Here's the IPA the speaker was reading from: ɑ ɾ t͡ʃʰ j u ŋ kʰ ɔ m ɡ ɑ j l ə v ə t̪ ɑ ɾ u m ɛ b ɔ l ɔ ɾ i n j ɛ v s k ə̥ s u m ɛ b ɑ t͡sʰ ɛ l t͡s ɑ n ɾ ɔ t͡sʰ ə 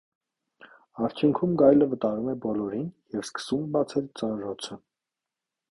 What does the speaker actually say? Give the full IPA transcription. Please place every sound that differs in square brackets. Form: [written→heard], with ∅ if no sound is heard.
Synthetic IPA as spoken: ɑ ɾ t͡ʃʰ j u ŋ kʰ [ɔ→u] m ɡ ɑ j l ə v ə t̪ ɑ ɾ u m ɛ b ɔ l ɔ ɾ i n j ɛ v s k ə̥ s u m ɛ b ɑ t͡sʰ ɛ l t͡s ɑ n ɾ ɔ t͡sʰ ə